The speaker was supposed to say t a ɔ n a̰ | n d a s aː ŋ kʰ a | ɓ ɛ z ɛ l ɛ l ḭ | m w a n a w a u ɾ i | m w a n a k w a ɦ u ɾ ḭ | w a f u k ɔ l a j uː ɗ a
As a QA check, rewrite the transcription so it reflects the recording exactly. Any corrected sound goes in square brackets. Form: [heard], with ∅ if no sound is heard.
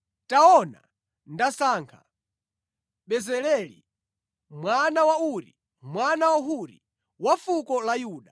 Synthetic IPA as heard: t a ɔ n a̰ | n d a s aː ŋ kʰ a | ɓ ɛ z ɛ l ɛ l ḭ | m w a n a w a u ɾ i | m w a n a [∅] w a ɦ u ɾ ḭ | w a f u k ɔ l a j uː ɗ a